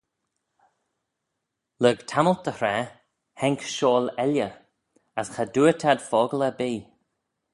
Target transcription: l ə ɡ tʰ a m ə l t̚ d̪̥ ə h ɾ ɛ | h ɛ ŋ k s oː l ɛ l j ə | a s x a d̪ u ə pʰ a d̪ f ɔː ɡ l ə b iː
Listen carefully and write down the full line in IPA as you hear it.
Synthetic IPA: l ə ɡ tʰ a m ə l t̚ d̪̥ ə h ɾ ɛ | h ɛ ŋ k ʃ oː l ɛ l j ə | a s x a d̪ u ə tʰ a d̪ f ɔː ɡ l ə b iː